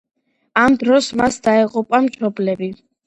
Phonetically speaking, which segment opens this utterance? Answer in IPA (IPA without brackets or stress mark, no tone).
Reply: a